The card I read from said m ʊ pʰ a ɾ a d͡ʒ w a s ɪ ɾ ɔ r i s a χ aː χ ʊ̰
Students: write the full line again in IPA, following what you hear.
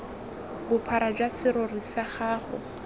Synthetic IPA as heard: b ʊ pʰ a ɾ a d͡ʒ w a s ɪ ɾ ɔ r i s a χ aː χ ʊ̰

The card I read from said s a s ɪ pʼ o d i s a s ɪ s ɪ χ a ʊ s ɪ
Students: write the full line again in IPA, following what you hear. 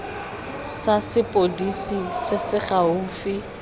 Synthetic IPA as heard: s a s ɪ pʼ o d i s i s ɪ s ɪ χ a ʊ f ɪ

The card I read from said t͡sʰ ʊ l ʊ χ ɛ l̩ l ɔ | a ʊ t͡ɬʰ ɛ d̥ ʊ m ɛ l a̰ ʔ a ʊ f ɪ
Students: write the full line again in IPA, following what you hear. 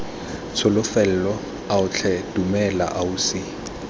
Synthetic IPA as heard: t͡sʰ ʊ l ʊ f ɛ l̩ l ɔ | a ʊ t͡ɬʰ ɛ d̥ u m ɛ l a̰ ʔ a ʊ s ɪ

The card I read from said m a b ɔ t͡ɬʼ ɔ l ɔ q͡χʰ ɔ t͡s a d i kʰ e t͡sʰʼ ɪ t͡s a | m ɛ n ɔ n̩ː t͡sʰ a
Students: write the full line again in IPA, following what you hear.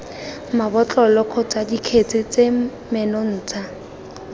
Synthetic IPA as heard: m a b ɔ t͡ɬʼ ɔ l ɔ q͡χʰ ɔ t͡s a d i kʰ e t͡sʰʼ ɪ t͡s e | m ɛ n ɔ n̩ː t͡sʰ a

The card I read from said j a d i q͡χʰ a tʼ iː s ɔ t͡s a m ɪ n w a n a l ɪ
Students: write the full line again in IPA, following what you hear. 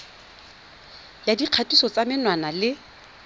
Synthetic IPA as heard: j a d i q͡χʰ a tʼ i s ɔ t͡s a m ɪ n w a n a l ɪ

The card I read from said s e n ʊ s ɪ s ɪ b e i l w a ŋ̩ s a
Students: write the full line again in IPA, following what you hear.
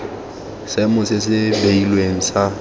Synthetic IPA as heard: s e m ʊ s ɪ s ɪ b e i l w e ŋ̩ s a

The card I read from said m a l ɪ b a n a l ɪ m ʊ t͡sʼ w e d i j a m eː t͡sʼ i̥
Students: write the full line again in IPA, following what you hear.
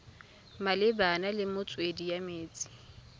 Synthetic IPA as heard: m a l ɪ b a n a l ɪ m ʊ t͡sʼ w e d i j a m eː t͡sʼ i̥

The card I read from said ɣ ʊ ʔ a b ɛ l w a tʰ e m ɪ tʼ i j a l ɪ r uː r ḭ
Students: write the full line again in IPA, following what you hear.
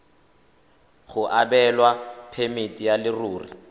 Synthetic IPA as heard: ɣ ʊ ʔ a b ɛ l w a pʰ e m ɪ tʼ i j a l ɪ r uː r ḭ

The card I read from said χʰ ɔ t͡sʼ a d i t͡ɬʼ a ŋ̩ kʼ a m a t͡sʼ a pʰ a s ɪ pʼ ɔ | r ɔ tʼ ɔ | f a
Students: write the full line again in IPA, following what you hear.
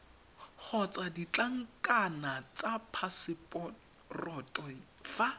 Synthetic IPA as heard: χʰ ɔ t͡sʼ a d i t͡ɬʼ a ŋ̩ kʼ a n a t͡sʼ a pʰ a s ɪ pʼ ɔ | r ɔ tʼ ɔ | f a

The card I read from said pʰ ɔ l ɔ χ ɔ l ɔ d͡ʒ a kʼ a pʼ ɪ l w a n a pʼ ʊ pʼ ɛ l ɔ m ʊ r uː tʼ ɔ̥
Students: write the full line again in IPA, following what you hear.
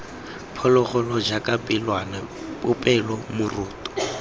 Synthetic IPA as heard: pʰ ɔ l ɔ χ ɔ l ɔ d͡ʒ a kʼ a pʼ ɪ l w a n a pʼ ʊ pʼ ɛ l ɔ m ʊ r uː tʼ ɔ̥

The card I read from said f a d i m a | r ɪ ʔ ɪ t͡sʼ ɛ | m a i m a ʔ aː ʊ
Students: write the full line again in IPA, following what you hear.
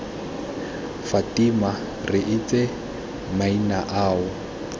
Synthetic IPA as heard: f a t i m a | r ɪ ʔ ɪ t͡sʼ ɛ | m a i n a ʔ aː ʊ

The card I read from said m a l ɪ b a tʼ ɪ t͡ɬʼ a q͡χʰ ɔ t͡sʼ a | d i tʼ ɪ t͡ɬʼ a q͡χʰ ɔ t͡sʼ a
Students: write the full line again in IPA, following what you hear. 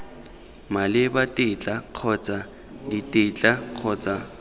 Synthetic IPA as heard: m a l ɪ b a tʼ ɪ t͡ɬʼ a q͡χʰ ɔ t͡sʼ a | d i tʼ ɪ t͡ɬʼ a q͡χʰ ɔ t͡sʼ a

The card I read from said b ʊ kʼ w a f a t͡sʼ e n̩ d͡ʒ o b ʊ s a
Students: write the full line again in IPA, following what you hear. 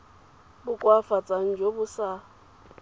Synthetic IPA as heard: b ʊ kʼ w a f a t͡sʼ a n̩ d͡ʒ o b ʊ s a

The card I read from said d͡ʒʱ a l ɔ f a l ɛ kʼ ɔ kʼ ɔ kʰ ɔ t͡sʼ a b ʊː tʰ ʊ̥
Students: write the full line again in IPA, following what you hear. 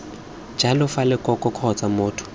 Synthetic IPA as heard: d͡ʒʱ a l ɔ f a l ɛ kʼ ɔ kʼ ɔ kʰ ɔ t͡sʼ a m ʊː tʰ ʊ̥

